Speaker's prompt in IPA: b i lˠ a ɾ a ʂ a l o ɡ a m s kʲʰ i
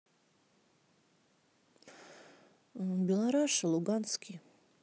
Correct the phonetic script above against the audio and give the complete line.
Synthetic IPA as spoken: b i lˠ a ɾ a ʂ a l u ɡ a n s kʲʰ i